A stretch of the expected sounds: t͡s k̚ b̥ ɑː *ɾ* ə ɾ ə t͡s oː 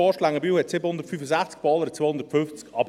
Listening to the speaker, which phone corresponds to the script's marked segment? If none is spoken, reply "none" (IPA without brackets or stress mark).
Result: l